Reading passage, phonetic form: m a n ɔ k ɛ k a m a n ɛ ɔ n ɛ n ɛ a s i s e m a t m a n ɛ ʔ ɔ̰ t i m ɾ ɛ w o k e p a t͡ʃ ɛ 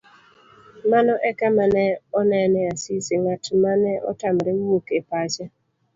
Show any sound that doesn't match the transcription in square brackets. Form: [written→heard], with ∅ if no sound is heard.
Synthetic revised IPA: m a n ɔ [k→ʔ] ɛ k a m a n ɛ ɔ n ɛ n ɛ a s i s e [m→ŋ] a t m a n ɛ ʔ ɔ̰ t [i→a] m ɾ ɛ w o k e p a t͡ʃ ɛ